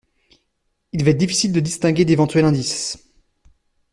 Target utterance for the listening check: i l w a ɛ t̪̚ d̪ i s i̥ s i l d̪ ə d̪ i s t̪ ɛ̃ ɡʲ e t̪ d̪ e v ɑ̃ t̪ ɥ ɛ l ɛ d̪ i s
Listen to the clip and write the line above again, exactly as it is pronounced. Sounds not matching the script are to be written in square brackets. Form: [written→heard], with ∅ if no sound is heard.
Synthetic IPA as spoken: i l [w→v] a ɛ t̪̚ d̪ i [s→f] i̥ s i l d̪ ə d̪ i s t̪ ɛ̃ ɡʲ e [t̪→∅] d̪ e v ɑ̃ t̪ ɥ ɛ l [ɛ→ɛ̃] d̪ i s